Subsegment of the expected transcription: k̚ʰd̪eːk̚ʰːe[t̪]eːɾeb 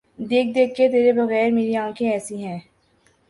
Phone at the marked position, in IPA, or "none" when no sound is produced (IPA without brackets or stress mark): t̪